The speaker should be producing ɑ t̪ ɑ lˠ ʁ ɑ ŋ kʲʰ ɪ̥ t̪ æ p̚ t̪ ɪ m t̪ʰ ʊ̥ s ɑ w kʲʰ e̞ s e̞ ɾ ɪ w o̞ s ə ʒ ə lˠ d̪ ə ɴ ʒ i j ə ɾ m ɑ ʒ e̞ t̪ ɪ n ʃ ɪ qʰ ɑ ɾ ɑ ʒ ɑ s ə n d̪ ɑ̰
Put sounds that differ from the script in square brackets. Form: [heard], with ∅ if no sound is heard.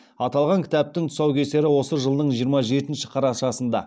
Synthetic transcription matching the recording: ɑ t̪ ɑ lˠ ʁ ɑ ŋ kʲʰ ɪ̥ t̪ æ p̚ t̪ ɪ [ŋ] t̪ʰ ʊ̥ s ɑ w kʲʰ e̞ s e̞ ɾ ɪ w o̞ s ə ʒ ə lˠ d̪ ə ɴ ʒ i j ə ɾ m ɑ ʒ e̞ t̪ ɪ n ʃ ɪ qʰ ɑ ɾ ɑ [ʃ] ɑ s ə n d̪ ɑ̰